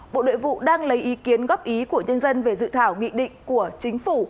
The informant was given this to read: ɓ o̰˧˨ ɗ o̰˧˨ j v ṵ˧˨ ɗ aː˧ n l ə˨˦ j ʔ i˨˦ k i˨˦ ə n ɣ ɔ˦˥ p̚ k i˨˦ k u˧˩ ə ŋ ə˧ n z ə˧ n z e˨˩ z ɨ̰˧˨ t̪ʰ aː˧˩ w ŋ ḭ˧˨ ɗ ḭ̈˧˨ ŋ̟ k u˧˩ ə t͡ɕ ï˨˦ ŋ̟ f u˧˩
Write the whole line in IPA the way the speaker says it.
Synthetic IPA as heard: ɓ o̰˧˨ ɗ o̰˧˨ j v ṵ˧˨ ɗ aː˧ ŋ l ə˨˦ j ʔ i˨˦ k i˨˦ ə n ɣ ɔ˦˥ p̚ ʔ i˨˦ k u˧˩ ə ɲ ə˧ n z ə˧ n v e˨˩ z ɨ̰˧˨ t̪ʰ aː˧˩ w ŋ ḭ˧˨ ɗ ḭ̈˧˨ ŋ̟ k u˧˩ ə t͡ɕ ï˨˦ ŋ̟ f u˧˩